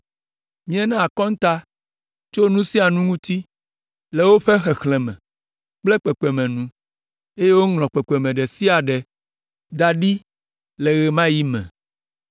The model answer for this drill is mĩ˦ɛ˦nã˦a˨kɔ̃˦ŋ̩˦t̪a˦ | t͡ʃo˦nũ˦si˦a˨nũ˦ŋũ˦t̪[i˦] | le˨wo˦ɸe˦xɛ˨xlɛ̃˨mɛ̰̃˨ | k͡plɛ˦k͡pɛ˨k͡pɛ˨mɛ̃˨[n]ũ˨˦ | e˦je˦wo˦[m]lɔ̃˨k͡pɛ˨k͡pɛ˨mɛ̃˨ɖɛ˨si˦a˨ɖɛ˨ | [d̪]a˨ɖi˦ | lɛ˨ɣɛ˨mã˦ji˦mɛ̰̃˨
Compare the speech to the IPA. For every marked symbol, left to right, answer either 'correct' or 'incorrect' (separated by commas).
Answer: correct, correct, incorrect, correct